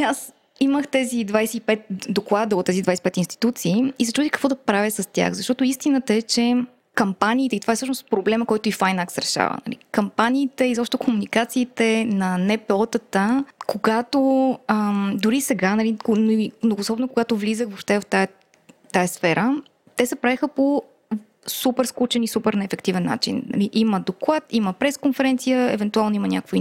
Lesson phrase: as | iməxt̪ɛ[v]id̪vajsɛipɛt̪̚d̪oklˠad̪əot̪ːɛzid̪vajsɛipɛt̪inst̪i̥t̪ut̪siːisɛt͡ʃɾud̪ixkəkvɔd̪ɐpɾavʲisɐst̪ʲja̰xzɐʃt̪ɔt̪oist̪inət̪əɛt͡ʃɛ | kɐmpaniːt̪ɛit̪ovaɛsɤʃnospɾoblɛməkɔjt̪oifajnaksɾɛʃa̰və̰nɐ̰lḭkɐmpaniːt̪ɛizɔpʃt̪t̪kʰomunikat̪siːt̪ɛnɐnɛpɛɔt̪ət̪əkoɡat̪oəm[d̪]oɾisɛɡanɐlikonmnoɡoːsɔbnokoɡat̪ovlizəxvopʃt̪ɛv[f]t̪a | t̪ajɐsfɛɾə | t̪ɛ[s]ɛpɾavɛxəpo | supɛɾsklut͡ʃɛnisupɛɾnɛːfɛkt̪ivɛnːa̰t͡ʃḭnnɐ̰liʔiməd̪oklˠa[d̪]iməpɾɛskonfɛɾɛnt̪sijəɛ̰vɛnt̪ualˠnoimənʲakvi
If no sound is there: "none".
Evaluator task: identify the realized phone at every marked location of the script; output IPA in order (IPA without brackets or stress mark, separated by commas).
z, d̪, f, s, t̪